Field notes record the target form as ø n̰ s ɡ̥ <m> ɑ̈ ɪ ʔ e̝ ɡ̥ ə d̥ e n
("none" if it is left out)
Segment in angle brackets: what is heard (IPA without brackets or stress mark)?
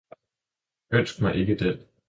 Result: m